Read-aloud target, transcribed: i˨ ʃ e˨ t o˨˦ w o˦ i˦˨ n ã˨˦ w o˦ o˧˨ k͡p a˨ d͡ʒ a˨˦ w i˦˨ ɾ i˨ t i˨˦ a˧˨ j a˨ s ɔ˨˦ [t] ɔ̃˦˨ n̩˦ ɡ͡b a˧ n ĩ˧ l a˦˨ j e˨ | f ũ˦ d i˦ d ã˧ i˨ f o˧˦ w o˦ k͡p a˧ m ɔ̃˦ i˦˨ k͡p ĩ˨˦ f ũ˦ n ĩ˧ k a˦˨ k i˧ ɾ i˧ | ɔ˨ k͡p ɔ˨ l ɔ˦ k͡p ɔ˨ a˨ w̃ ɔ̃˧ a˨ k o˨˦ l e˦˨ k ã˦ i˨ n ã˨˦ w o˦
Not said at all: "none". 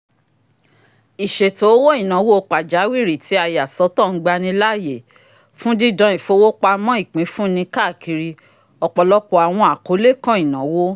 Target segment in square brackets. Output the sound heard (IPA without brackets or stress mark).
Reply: t